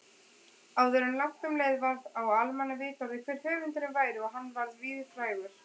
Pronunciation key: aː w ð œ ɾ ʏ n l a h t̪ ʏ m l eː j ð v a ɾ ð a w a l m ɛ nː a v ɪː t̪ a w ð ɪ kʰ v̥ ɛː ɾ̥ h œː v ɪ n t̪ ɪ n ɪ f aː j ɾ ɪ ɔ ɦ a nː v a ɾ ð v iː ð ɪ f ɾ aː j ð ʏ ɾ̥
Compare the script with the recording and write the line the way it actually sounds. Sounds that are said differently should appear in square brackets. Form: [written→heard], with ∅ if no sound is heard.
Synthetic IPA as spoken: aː w ð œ ɾ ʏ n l a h t̪ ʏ m l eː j ð v a ɾ ð a w a l m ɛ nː a v ɪː t̪ a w ð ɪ kʰ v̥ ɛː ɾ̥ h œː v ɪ n t̪ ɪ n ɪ [f→v] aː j ɾ ɪ ɔ ɦ a nː v a ɾ ð v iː ð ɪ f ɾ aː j [ð→ɣ] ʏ ɾ̥